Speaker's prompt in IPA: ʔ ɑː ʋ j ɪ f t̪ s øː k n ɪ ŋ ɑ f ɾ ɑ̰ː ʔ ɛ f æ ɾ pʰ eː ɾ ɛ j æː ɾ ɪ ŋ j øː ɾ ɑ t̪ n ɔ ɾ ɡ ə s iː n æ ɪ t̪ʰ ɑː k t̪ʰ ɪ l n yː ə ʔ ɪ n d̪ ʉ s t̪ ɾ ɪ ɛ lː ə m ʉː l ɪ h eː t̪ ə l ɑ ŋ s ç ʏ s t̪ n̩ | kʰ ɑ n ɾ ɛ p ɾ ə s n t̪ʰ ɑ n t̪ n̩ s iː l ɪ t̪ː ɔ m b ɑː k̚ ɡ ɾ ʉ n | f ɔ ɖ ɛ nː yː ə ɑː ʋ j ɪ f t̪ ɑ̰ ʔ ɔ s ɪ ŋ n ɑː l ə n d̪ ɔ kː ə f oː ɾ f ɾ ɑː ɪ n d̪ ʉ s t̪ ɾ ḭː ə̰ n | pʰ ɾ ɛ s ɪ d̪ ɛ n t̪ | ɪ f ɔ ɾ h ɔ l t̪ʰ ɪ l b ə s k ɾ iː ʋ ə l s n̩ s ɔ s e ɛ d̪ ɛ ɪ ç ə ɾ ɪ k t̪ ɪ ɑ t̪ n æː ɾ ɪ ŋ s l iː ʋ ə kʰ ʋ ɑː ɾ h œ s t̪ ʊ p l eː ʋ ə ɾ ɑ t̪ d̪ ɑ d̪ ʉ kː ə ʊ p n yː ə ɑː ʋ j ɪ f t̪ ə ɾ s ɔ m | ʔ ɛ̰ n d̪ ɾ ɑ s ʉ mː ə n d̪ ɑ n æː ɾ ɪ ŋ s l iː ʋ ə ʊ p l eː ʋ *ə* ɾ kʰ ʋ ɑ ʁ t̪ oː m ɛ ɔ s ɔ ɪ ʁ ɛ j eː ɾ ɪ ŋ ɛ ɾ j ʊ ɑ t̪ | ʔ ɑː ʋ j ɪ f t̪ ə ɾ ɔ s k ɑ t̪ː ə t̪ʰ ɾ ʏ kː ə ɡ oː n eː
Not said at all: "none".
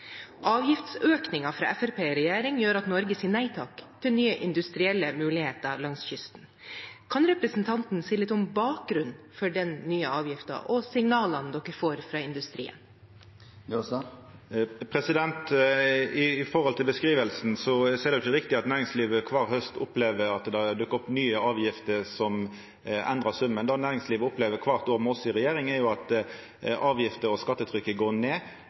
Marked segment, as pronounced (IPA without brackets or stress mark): ə